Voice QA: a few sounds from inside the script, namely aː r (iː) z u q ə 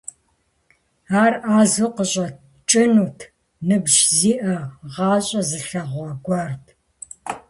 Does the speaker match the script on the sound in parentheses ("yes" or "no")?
no